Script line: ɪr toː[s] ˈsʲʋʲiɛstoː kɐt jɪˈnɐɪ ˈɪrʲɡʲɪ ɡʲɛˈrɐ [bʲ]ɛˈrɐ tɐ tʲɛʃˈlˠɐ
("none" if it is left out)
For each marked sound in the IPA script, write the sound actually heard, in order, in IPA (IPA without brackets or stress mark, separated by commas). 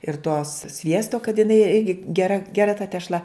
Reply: s, ɡʲ